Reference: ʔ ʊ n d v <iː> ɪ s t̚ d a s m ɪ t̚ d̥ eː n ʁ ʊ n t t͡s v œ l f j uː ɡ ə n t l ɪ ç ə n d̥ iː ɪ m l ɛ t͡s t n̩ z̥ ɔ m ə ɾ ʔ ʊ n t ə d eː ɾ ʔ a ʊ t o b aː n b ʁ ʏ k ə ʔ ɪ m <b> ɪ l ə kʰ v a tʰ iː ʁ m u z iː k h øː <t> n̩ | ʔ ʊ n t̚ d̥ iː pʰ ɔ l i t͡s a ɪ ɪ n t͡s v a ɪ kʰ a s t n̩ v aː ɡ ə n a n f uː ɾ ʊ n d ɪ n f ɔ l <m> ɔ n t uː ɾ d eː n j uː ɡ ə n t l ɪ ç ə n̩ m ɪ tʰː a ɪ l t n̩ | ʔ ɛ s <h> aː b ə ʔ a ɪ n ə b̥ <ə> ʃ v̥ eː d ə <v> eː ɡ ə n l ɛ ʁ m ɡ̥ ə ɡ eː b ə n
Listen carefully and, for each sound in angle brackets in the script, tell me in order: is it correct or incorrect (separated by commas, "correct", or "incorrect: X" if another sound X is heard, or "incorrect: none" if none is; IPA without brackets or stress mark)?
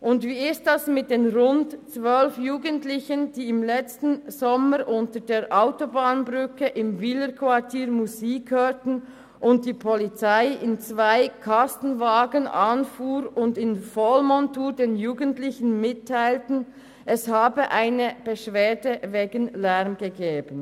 correct, incorrect: v, correct, correct, correct, correct, correct